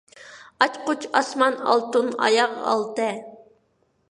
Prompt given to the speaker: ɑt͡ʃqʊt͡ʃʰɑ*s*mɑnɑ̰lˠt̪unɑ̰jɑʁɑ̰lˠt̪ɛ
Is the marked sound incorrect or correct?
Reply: correct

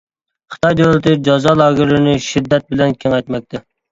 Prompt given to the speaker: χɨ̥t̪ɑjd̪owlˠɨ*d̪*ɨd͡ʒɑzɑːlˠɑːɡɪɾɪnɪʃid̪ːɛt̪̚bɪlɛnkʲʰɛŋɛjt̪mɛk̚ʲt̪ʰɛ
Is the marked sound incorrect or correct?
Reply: incorrect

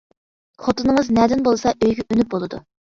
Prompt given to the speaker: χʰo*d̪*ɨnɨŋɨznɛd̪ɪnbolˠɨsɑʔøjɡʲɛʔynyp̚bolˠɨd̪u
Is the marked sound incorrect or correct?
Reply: incorrect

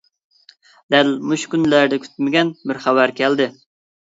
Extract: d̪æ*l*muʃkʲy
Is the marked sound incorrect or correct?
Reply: correct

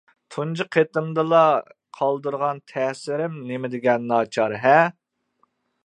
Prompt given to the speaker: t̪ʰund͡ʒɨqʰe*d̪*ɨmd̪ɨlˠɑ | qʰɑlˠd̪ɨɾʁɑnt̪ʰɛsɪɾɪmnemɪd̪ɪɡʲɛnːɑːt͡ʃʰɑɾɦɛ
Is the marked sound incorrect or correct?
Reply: incorrect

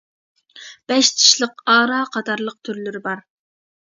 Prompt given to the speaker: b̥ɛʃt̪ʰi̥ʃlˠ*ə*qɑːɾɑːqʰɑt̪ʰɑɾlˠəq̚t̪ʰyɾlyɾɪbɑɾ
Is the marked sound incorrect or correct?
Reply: correct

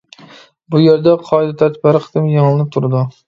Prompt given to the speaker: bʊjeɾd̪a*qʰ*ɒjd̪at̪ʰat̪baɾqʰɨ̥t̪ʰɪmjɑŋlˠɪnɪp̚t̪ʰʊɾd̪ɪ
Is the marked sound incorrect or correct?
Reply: correct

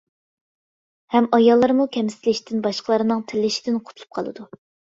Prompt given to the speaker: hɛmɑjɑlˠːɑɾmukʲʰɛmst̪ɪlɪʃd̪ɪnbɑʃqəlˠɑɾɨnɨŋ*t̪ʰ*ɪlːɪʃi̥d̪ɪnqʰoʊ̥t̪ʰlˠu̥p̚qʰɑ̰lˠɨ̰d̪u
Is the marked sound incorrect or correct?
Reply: correct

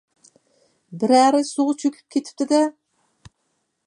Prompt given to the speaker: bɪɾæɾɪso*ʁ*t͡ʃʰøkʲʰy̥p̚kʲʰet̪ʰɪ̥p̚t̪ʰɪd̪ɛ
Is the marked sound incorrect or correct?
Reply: correct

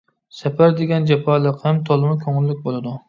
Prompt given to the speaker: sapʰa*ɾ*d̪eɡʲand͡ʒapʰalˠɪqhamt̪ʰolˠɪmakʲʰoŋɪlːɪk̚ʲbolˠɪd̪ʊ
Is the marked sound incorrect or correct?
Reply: correct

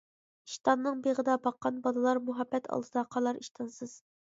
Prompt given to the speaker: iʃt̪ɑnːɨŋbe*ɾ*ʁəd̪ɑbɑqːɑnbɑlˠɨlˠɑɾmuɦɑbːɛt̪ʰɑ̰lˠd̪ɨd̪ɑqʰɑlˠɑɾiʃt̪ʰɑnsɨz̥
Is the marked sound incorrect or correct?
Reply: incorrect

